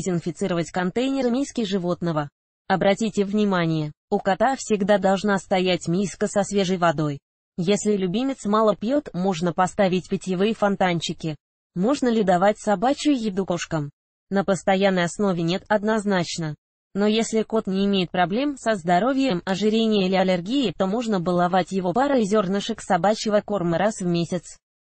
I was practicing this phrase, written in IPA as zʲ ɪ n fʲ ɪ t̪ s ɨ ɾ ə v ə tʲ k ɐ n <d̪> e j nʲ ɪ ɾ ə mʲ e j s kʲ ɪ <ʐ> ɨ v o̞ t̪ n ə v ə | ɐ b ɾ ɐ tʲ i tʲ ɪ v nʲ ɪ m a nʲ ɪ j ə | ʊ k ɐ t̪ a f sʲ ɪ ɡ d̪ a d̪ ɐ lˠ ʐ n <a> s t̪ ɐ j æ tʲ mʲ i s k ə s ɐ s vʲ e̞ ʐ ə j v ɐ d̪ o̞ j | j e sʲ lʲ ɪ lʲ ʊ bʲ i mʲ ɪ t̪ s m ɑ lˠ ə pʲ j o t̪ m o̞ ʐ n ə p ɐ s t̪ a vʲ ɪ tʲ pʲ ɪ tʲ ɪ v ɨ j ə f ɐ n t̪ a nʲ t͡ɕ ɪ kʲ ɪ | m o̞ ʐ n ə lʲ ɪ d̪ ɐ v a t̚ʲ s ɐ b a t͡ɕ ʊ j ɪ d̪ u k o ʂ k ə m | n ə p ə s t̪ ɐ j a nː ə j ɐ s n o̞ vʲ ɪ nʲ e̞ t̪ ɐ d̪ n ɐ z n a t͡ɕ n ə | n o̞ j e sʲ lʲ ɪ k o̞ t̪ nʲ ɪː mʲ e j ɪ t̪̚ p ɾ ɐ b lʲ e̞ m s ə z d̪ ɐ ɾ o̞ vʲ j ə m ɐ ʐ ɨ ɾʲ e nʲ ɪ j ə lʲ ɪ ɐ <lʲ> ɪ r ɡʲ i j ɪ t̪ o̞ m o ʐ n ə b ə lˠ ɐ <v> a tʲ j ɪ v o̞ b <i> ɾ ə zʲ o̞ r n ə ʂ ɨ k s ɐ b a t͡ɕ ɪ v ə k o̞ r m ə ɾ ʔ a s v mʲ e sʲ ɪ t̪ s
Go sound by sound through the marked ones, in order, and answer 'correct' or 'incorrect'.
incorrect: t̪, correct, correct, correct, correct, incorrect: a

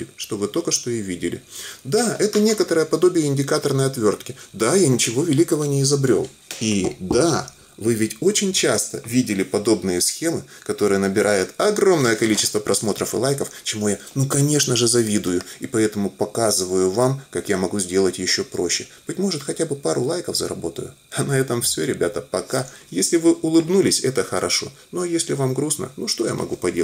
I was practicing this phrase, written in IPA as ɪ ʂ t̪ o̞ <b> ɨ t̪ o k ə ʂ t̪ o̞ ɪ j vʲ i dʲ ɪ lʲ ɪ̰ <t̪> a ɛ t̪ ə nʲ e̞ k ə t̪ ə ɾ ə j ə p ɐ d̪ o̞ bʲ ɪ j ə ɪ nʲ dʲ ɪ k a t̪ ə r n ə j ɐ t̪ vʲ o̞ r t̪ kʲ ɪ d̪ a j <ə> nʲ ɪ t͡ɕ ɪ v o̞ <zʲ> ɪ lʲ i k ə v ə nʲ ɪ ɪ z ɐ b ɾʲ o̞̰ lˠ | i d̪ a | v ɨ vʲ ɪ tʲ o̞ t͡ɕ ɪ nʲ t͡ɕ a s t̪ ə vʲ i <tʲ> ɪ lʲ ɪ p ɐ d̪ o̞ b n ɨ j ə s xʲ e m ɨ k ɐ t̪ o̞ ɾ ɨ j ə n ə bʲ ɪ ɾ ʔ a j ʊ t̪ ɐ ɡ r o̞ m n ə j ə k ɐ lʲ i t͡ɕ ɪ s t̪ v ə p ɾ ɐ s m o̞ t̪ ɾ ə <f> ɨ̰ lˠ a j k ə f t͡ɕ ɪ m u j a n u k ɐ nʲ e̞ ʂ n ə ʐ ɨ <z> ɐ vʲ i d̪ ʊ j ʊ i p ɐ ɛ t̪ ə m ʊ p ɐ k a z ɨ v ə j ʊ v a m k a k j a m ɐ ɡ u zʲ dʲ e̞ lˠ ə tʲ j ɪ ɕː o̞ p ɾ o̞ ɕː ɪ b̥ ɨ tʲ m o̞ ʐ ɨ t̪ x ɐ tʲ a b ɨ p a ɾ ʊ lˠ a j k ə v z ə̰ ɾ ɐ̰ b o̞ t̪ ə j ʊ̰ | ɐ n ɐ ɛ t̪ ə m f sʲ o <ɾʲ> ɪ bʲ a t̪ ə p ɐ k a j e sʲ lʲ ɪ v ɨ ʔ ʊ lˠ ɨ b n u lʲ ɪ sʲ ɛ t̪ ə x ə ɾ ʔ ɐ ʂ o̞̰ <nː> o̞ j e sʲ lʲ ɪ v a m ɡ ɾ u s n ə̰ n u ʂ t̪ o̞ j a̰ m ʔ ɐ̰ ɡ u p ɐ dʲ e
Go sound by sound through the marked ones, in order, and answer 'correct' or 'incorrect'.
incorrect: v, incorrect: d̪, incorrect: a, incorrect: vʲ, incorrect: dʲ, correct, correct, correct, incorrect: n

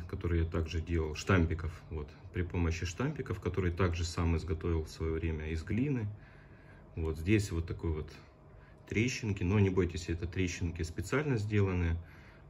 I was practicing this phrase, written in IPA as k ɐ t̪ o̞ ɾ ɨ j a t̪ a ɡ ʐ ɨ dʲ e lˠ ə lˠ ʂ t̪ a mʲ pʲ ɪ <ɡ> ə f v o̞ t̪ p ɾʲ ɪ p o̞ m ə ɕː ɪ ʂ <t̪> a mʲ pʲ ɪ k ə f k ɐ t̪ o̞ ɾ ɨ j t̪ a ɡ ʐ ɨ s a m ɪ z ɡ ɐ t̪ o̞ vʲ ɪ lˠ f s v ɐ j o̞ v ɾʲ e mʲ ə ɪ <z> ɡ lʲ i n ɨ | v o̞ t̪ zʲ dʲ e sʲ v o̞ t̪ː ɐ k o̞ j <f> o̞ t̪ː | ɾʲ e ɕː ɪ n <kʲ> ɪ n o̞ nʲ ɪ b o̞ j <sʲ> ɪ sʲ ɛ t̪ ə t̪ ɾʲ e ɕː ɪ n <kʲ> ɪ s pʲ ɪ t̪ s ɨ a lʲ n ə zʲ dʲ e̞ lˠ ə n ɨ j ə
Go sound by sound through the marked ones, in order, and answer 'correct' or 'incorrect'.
incorrect: k, correct, correct, incorrect: v, correct, incorrect: tʲ, correct

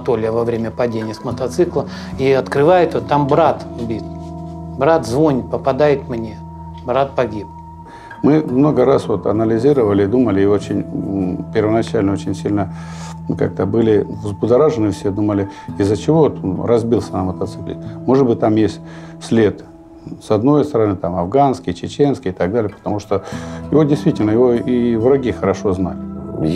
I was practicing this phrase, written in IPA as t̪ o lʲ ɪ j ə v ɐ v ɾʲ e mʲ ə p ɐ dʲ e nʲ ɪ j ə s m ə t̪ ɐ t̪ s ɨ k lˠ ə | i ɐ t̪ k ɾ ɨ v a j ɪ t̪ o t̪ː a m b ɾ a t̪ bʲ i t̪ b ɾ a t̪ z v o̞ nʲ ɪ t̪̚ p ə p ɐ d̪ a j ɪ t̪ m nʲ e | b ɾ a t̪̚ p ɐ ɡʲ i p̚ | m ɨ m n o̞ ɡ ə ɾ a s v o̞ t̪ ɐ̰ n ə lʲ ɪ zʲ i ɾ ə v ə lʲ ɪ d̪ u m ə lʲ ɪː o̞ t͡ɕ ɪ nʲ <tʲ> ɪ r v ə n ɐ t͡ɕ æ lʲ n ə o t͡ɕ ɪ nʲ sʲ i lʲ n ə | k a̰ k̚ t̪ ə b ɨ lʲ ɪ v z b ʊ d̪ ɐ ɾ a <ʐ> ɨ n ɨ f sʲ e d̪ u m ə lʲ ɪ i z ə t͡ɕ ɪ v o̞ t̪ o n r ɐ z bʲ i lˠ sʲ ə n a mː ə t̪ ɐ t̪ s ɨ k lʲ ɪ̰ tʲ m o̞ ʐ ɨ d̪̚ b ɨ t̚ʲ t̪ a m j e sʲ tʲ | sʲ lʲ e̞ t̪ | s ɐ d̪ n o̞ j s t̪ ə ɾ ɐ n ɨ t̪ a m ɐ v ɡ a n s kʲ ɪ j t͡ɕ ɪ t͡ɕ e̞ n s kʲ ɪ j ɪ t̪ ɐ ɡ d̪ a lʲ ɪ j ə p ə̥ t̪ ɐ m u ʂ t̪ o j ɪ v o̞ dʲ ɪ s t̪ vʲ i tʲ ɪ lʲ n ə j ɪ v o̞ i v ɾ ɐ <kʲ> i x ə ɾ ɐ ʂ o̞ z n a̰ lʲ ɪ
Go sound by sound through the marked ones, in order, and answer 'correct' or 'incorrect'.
incorrect: pʲ, correct, incorrect: ɡʲ

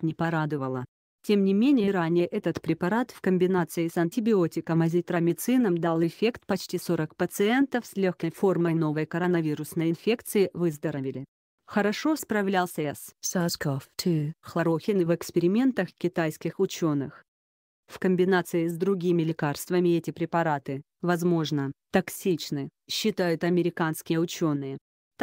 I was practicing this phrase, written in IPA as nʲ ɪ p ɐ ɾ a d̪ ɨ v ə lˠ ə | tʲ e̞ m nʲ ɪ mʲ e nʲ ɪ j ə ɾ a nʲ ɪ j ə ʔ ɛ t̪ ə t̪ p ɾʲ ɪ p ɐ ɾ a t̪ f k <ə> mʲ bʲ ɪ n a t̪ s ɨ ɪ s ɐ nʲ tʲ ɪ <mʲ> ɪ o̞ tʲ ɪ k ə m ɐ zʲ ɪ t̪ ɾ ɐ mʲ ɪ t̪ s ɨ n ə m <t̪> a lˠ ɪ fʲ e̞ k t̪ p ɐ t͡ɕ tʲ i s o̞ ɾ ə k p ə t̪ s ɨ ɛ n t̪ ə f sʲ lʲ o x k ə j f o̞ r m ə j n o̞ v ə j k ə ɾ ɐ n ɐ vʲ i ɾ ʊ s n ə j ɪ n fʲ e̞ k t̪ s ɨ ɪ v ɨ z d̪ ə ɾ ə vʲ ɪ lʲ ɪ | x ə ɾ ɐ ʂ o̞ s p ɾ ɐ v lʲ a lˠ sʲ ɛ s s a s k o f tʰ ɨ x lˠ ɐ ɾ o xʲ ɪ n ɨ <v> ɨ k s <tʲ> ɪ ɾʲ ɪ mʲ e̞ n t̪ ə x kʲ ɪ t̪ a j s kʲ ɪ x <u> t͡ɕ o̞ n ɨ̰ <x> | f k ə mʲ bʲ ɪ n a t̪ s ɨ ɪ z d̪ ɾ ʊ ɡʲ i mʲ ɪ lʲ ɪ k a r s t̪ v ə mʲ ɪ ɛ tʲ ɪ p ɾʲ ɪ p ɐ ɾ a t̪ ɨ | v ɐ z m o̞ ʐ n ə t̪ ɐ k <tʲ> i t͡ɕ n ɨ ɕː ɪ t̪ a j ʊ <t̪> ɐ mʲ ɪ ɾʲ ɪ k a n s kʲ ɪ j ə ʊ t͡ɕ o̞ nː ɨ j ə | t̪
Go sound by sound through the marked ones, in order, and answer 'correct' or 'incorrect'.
correct, incorrect: bʲ, incorrect: d̪, correct, incorrect: pʲ, incorrect: ʊ, correct, incorrect: sʲ, correct

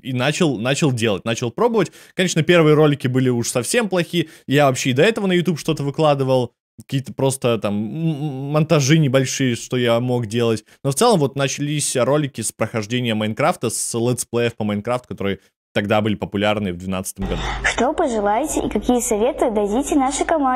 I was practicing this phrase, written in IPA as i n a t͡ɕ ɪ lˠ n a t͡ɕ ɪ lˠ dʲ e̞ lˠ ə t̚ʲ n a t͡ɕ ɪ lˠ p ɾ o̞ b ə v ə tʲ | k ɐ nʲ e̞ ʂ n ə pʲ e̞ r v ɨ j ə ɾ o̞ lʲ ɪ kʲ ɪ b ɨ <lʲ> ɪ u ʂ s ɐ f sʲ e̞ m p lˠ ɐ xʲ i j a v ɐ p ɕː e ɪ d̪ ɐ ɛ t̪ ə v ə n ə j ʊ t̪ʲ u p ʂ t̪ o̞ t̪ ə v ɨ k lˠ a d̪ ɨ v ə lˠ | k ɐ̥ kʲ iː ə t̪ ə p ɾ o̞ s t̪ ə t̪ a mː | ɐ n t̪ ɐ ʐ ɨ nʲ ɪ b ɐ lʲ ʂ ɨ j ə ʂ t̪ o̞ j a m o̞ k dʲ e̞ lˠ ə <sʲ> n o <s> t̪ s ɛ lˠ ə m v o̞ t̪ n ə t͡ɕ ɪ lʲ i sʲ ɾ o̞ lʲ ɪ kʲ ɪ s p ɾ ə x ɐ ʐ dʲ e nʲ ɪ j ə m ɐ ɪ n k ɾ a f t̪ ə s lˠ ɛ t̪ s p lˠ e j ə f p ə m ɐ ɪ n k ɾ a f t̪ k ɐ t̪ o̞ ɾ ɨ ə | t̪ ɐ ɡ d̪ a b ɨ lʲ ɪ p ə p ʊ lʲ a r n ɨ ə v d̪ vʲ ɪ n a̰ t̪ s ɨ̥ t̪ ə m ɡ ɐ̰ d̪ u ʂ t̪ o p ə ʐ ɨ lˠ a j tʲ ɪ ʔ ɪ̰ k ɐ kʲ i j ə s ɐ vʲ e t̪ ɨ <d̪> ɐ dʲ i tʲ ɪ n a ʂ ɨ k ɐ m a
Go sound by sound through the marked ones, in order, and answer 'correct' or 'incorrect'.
correct, incorrect: tʲ, incorrect: f, correct

